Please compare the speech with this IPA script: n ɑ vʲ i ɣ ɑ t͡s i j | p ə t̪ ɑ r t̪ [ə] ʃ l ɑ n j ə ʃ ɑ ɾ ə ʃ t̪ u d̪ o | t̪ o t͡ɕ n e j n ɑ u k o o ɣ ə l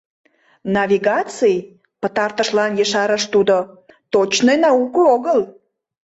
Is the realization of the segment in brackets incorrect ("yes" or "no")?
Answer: no